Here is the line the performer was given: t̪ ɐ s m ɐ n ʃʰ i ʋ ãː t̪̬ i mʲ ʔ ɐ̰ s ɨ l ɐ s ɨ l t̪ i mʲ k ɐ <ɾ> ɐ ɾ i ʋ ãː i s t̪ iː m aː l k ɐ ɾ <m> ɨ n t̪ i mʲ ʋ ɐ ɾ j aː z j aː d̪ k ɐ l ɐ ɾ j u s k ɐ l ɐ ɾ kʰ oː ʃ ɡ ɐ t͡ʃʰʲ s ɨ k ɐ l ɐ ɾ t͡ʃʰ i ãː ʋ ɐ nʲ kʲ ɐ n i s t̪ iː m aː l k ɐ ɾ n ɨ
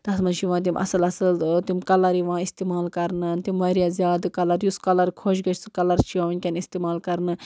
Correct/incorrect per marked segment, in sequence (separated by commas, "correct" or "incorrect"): incorrect, incorrect